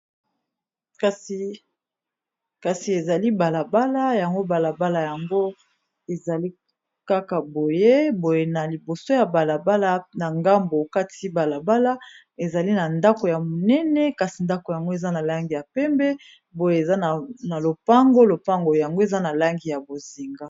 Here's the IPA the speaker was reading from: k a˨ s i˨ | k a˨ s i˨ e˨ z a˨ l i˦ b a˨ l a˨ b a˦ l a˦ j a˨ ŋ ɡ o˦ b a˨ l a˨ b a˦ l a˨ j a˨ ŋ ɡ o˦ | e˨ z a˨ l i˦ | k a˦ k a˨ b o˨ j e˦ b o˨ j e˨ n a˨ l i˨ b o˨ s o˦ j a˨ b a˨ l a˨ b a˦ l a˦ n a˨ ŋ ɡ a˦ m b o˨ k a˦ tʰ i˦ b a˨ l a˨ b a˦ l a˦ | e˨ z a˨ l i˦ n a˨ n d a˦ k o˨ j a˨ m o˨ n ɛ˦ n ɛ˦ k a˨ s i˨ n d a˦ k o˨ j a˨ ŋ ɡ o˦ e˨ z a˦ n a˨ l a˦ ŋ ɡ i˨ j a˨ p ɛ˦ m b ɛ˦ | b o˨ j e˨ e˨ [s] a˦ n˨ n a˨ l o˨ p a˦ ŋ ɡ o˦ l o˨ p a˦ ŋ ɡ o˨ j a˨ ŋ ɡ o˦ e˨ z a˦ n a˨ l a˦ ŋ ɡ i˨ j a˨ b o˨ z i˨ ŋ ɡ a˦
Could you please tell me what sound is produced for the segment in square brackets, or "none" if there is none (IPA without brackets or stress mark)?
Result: z